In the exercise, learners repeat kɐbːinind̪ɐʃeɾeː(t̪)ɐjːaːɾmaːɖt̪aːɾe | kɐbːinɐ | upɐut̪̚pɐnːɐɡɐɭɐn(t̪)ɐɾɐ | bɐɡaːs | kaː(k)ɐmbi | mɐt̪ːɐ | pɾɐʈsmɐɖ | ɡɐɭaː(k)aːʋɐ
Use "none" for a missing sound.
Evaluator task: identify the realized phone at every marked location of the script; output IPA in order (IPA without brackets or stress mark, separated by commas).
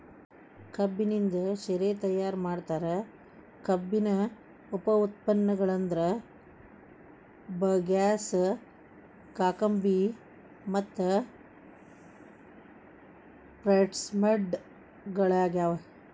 t̪, d̪, k, ɡ